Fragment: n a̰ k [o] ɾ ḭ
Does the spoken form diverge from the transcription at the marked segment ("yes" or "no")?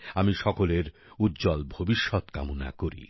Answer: no